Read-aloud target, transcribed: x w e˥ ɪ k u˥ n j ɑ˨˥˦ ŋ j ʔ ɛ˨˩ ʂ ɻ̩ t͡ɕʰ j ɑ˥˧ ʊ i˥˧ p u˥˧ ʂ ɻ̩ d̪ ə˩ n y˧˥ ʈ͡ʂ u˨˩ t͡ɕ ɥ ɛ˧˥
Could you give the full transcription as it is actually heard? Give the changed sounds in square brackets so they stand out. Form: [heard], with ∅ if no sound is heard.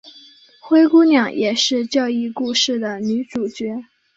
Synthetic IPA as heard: x w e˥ ɪ k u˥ n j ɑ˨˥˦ ŋ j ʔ ɛ˨˩ ʂ ɻ̩ [t͡ɕ] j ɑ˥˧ ʊ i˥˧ [k] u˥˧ ʂ ɻ̩ d̪ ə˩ n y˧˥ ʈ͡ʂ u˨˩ t͡ɕ ɥ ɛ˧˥

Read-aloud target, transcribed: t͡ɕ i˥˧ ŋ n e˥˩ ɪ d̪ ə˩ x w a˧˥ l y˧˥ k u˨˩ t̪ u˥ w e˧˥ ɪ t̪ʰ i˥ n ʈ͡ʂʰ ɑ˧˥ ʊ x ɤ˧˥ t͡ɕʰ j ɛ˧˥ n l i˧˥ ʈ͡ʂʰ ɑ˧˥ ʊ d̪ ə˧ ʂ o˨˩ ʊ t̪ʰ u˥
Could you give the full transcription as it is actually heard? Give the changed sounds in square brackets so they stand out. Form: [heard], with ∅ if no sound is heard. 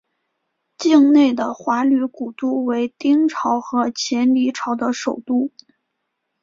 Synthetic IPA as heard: t͡ɕ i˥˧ ŋ n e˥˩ ɪ d̪ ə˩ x w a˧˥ l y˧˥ k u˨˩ t̪ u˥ w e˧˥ ɪ [t̪] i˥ [ŋ] ʈ͡ʂʰ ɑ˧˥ ʊ x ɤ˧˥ t͡ɕʰ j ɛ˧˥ n l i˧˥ ʈ͡ʂʰ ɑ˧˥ ʊ d̪ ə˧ ʂ o˨˩ ʊ [t̪] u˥

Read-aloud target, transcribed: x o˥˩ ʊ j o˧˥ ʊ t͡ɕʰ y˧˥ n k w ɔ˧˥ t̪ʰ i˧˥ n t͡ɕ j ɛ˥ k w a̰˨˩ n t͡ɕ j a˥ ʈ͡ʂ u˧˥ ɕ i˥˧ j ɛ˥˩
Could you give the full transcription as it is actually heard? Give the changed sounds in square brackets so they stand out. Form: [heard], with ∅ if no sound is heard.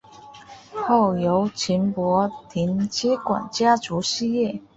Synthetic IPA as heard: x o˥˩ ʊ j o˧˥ ʊ t͡ɕʰ [i˧˥] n [p] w ɔ˧˥ t̪ʰ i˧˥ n t͡ɕ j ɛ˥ k w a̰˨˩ n t͡ɕ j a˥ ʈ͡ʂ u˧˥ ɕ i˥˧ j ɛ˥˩

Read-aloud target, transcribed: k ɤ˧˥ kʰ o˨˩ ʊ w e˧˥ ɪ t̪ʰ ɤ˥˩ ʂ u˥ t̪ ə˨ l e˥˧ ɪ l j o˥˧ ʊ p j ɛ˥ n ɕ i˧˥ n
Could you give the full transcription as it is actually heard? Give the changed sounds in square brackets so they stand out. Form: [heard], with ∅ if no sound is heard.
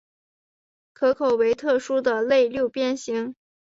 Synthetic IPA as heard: [kʰ] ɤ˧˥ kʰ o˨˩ ʊ w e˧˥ ɪ t̪ʰ ɤ˥˩ ʂ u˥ [d̪] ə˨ l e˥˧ ɪ l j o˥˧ ʊ p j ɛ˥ n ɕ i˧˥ [ŋ]

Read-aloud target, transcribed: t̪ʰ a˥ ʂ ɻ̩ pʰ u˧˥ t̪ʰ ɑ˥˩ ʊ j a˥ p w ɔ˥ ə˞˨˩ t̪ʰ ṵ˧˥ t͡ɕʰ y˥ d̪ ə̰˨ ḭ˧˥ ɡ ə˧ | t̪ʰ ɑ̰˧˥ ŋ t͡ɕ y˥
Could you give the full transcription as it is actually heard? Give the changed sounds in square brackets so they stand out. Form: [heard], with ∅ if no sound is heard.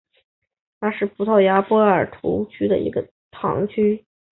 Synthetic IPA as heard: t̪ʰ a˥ ʂ ɻ̩ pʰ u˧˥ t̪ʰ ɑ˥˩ ʊ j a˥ p w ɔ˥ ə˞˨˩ t̪ʰ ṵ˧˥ t͡ɕʰ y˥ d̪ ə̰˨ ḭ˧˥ ɡ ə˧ | t̪ʰ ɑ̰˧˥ ŋ [t͡ɕʰ] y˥

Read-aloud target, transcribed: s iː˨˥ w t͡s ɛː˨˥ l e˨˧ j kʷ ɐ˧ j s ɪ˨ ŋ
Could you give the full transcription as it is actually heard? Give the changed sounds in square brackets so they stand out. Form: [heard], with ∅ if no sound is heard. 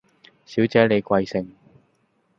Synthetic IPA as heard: s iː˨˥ w t͡s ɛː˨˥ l e˨˧ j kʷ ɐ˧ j s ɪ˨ ŋ

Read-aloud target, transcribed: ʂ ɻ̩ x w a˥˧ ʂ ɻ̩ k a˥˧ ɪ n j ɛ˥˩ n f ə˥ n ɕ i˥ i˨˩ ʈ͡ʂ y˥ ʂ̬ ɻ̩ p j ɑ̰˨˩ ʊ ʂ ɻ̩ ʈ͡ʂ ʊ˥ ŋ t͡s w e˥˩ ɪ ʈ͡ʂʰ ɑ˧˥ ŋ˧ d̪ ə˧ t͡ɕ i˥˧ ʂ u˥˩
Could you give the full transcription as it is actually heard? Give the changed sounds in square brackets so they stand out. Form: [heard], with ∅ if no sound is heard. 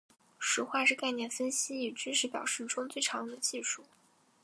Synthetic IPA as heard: ʂ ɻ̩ x w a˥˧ ʂ ɻ̩ k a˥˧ ɪ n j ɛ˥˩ n f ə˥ n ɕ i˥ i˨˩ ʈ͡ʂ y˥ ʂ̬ ɻ̩ p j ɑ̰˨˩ ʊ ʂ ɻ̩ ʈ͡ʂ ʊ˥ ŋ t͡s w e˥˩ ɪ ʈ͡ʂʰ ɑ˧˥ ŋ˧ d̪ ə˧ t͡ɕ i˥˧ ʂ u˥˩

